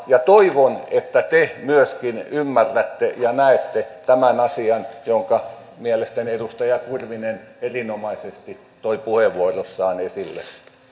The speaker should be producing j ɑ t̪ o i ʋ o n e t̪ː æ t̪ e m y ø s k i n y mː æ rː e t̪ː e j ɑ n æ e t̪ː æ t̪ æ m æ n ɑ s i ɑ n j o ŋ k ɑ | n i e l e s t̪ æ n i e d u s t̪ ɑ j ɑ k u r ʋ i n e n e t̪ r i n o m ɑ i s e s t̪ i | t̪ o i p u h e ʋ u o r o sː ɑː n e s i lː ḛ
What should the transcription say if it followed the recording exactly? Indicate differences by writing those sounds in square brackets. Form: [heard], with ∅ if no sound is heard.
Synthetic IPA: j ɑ t̪ o i ʋ o n e t̪ː æ t̪ e m y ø s k i n y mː æ rː [æ] t̪ː e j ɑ n æ e t̪ː [e] t̪ æ m æ n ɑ s i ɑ n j o ŋ k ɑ | [m] i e l e s t̪ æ n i e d u s t̪ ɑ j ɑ k u r ʋ i n e n e [∅] r i n o m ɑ i s e s t̪ i | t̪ o i p u h e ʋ u o r o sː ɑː n e s i lː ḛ